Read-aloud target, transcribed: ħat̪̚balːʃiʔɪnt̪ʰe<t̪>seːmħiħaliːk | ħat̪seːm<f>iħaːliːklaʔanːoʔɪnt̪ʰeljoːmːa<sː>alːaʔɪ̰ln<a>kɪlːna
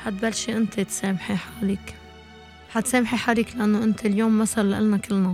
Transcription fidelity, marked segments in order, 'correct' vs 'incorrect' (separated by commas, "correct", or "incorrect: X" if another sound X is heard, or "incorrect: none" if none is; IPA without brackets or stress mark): correct, incorrect: ħ, incorrect: s, correct